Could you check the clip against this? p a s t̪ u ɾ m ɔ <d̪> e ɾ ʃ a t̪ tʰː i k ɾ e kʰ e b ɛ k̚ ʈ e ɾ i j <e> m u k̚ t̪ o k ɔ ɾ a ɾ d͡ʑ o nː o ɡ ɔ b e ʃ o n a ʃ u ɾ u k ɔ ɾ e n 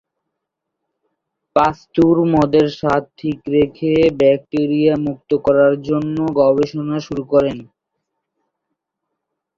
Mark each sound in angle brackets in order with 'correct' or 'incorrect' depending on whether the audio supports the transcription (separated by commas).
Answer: correct, incorrect